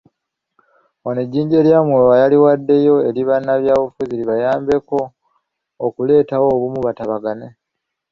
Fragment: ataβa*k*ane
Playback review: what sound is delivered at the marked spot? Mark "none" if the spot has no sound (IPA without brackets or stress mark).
ɡ